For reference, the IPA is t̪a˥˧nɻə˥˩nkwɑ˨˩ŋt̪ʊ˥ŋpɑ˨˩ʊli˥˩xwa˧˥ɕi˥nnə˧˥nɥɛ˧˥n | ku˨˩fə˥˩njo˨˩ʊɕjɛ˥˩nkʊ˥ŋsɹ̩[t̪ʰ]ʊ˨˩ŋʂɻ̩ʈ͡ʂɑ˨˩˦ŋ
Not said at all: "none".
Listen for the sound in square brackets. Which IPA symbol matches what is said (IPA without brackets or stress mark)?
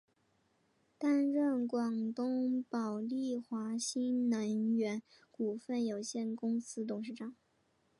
t̪